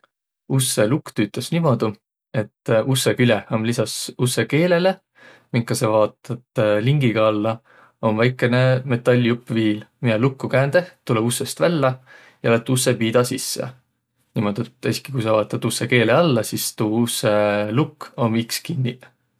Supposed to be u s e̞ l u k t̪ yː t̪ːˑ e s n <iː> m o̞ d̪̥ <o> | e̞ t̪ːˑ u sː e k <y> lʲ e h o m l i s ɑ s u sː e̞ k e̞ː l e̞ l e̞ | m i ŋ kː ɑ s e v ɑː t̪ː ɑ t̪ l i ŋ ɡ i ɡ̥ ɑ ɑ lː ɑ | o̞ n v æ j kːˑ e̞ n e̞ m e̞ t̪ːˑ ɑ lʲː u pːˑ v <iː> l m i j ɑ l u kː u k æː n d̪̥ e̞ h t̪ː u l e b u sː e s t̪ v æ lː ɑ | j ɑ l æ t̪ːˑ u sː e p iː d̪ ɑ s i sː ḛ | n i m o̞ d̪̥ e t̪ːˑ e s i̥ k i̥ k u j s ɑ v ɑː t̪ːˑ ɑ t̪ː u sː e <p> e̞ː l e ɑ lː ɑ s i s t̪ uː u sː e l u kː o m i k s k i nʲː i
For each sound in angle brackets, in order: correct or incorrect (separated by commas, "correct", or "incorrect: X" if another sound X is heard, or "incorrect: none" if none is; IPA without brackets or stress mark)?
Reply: incorrect: i, incorrect: u, correct, correct, incorrect: k